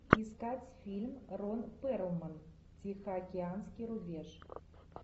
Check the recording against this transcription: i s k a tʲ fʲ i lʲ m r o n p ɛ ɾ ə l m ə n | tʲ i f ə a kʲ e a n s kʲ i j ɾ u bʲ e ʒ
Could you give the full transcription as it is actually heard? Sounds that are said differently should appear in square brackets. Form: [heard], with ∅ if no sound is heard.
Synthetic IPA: i s k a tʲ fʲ i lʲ m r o n p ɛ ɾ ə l m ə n | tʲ i [x] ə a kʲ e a n s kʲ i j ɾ u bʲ e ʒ